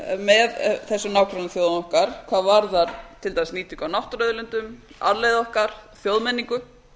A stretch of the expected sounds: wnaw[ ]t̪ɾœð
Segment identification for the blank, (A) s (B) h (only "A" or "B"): B